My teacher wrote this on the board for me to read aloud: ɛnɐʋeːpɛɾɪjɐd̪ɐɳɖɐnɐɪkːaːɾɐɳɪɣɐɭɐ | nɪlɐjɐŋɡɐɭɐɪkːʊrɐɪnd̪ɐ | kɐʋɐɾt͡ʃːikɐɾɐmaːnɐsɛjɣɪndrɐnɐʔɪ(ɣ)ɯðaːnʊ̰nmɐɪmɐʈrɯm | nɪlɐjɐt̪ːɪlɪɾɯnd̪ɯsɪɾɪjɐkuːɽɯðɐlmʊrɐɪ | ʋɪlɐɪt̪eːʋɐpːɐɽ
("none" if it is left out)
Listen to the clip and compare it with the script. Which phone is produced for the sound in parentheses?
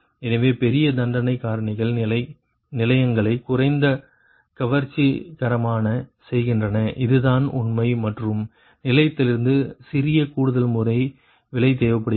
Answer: ð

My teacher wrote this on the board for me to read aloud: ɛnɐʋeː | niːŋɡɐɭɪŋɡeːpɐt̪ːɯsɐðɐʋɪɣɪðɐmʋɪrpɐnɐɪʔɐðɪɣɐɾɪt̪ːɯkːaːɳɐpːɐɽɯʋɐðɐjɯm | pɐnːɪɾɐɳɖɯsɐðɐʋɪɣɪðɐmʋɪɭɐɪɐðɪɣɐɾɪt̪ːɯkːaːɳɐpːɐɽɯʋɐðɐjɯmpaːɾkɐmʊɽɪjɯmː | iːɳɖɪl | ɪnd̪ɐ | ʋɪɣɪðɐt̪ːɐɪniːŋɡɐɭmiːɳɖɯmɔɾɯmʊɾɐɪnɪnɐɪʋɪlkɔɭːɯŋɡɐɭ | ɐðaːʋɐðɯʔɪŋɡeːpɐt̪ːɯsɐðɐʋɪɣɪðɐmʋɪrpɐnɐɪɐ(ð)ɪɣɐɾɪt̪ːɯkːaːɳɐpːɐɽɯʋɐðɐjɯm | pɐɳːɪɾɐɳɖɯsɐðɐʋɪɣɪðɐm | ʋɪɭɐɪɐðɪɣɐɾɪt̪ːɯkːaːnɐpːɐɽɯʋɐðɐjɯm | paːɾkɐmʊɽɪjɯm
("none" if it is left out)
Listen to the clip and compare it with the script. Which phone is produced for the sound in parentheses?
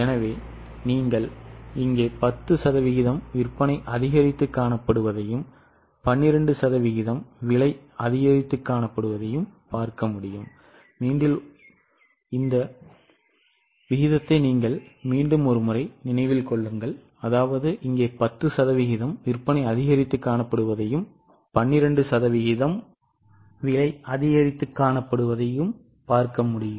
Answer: ð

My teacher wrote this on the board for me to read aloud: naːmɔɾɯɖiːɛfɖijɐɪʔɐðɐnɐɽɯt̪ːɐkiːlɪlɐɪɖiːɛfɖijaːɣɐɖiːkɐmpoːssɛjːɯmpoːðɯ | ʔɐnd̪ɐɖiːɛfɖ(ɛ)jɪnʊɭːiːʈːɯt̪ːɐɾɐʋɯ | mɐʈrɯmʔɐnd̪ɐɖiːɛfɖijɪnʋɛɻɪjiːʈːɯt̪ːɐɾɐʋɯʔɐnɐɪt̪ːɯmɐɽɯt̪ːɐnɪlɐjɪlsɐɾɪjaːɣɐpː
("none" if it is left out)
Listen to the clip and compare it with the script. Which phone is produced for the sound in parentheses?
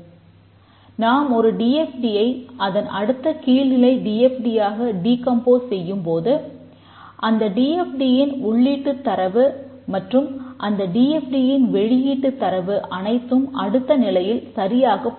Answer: i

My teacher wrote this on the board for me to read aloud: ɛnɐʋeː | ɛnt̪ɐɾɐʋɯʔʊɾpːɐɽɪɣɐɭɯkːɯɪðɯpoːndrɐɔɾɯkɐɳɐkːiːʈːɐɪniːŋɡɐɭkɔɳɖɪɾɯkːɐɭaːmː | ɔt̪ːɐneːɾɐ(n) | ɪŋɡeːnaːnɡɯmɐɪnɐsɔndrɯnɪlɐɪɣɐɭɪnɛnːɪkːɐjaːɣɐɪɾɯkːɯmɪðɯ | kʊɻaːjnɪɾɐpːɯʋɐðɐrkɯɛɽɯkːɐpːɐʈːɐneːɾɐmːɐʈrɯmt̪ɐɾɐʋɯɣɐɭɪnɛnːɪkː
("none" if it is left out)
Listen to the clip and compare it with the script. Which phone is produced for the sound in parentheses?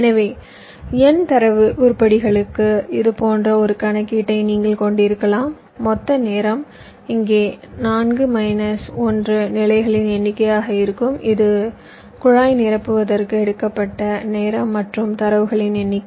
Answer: m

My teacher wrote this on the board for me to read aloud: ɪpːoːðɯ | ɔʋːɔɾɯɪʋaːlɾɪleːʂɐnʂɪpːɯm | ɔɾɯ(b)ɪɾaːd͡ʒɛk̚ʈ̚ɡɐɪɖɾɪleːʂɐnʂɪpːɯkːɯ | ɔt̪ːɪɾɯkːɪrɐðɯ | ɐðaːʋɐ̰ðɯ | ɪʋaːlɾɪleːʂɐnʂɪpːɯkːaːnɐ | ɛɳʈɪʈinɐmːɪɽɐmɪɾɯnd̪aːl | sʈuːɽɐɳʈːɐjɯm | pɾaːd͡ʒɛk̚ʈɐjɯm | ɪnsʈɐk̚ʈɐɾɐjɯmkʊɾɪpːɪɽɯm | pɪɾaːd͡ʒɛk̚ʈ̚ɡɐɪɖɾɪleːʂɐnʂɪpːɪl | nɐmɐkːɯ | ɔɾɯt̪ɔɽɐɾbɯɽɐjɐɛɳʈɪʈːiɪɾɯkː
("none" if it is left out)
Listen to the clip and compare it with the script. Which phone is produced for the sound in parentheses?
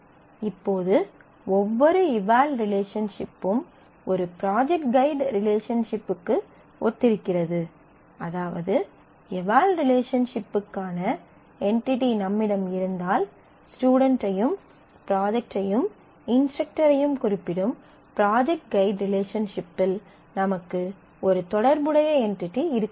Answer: p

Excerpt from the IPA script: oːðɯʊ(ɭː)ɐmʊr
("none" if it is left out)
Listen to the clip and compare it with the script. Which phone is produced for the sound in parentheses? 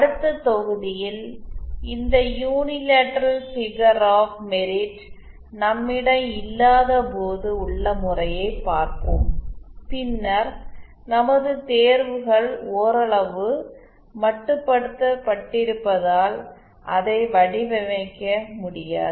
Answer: ɭː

